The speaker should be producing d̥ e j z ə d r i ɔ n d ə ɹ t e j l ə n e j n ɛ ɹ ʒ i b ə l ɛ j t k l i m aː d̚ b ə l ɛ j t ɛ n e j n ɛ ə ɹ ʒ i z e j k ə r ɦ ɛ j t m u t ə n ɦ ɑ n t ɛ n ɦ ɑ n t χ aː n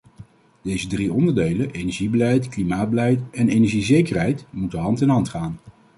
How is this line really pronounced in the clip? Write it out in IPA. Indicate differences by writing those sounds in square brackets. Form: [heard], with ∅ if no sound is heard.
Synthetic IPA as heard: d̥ e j z ə d r i ɔ n d ə ɹ [d] e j l ə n e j n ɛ ɹ ʒ i b ə l ɛ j t k l i m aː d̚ b ə l ɛ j t ɛ n e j n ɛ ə ɹ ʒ i z e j k ə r ɦ ɛ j t m u t ə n ɦ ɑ n t ɛ n ɦ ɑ n t χ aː n

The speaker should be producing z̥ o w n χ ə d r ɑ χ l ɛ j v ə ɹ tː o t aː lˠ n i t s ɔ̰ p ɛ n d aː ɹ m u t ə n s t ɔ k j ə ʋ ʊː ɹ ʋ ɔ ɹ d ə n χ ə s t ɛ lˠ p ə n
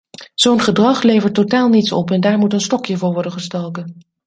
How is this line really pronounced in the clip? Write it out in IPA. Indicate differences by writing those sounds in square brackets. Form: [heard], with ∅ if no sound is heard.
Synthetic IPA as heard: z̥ o w n χ ə d r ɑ χ l [e] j v ə ɹ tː o t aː lˠ n i t s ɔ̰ p ɛ n d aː ɹ m u t ə n s t ɔ k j ə [v] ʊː ɹ ʋ ɔ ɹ d ə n χ ə s t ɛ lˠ [k] ə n

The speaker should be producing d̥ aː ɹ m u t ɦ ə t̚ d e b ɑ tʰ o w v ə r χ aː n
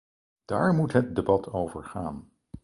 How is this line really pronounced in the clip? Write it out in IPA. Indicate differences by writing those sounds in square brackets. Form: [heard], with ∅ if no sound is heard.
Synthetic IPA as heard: d̥ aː ɹ m u t ɦ ə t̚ d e b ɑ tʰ o w v ə [ɹ] χ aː n

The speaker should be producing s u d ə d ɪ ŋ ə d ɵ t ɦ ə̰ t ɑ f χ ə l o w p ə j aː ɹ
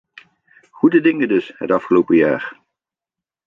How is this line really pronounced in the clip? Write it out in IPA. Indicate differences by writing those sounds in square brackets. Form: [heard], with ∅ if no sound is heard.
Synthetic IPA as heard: [χ] u d ə d ɪ ŋ ə d ɵ [s] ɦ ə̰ t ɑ f χ ə l o w p ə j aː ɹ

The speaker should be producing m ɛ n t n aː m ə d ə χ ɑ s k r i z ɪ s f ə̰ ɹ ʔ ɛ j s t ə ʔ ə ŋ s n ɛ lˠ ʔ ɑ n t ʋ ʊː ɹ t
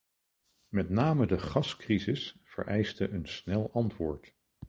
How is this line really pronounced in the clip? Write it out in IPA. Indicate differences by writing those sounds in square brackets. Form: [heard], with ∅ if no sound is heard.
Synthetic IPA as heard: m ɛ [∅] t n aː m ə d ə χ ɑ s k r i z ɪ s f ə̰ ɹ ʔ ɛ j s t ə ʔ ə [n] s n ɛ lˠ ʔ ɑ n t ʋ ʊː ɹ t

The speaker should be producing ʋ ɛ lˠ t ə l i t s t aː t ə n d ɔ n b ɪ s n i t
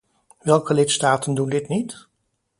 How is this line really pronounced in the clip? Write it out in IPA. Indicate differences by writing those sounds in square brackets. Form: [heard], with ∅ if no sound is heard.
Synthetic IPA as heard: ʋ ɛ lˠ [k] ə l [ɪ] t s t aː t ə n d [u] n [d] ɪ [t] n i t

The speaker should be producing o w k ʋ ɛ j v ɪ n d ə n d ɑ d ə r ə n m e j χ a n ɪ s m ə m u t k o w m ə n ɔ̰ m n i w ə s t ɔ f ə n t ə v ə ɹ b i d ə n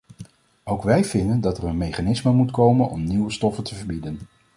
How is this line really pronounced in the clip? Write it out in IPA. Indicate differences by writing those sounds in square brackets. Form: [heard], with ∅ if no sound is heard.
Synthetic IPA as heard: o w k ʋ ɛ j v ɪ n d ə n d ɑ [t] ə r ə n m e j χ a n ɪ s m ə m u t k o w m ə n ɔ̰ m n i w ə s t ɔ f ə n t ə v ə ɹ b i d ə n

